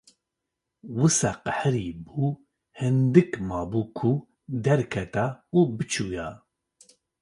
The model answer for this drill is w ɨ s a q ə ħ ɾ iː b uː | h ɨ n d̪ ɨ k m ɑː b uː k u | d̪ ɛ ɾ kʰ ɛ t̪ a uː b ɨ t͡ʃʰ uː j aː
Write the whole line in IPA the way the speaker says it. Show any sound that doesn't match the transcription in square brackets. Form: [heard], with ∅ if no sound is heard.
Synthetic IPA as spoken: w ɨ s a q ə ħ ɾ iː b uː | h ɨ n d̪ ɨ k m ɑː b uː [kʰ] u | d̪ ɛ ɾ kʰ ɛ t̪ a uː b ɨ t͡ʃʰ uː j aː